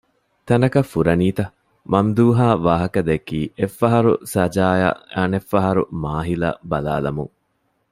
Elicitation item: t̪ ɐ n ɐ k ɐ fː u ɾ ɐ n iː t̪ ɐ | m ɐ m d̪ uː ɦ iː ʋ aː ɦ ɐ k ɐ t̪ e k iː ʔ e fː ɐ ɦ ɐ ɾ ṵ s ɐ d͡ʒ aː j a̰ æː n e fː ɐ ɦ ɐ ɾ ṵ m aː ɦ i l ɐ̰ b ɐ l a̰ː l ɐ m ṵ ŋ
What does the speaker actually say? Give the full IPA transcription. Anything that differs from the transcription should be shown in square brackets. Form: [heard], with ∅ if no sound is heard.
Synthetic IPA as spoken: t̪ ɐ n ɐ k ɐ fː u ɾ ɐ n iː t̪ ɐ | m ɐ m d̪ uː ɦ [aː] ʋ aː ɦ ɐ k ɐ [d̪] e k iː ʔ e fː ɐ ɦ ɐ ɾ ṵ s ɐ d͡ʒ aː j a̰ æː n e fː ɐ ɦ ɐ ɾ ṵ m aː ɦ i l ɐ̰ b ɐ l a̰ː l ɐ m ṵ ŋ